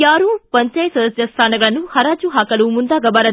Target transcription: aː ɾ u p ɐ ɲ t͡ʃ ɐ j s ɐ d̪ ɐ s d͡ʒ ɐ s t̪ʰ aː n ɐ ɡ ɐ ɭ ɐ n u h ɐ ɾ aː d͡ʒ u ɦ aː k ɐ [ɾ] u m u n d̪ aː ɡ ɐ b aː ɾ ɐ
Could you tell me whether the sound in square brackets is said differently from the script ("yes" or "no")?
yes